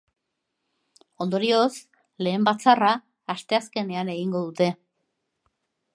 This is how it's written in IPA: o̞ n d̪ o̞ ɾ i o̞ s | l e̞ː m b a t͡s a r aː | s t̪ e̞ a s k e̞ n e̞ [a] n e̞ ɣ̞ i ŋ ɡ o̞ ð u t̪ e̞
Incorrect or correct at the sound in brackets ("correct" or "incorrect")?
correct